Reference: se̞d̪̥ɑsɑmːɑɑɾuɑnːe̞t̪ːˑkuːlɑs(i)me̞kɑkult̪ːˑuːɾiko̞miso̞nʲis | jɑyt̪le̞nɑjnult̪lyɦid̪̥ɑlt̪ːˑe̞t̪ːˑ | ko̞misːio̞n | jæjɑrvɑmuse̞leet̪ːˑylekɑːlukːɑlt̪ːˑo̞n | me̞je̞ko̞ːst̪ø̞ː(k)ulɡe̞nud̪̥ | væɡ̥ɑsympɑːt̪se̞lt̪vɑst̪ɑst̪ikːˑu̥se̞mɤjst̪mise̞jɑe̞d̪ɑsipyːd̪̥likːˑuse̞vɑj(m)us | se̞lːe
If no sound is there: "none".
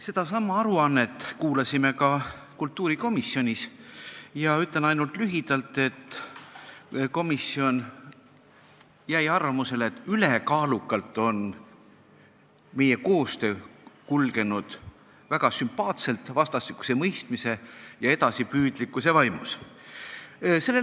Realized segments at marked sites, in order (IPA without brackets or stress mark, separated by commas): i, k, m